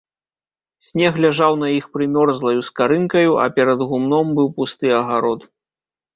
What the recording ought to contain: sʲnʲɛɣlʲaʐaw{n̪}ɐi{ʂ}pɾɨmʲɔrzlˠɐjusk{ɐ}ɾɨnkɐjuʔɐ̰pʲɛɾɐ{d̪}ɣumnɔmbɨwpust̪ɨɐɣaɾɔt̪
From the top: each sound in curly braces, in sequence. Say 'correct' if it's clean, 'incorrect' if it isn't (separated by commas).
correct, incorrect, incorrect, correct